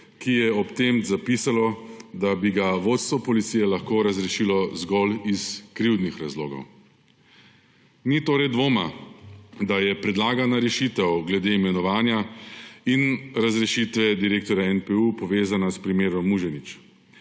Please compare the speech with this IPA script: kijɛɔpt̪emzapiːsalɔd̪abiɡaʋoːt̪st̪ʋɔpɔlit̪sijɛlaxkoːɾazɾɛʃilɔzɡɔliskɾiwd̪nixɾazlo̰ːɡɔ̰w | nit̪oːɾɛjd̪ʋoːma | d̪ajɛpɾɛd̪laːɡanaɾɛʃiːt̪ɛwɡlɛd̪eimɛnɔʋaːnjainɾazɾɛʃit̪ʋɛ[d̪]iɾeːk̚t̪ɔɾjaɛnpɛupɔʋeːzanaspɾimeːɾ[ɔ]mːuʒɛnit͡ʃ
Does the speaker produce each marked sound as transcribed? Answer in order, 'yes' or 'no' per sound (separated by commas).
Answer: yes, yes